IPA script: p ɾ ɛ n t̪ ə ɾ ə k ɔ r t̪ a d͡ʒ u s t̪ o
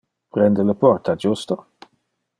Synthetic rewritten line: p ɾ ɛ n d̪ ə l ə p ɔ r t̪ a d͡ʒ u s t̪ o